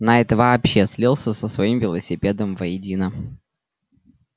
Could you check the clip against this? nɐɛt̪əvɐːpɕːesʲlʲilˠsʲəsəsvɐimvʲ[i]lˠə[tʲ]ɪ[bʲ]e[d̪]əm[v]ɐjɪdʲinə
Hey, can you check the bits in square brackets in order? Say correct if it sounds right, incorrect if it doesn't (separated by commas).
incorrect, incorrect, incorrect, correct, correct